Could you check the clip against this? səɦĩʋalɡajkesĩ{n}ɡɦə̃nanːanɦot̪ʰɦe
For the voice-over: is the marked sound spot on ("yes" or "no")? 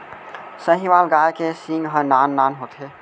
no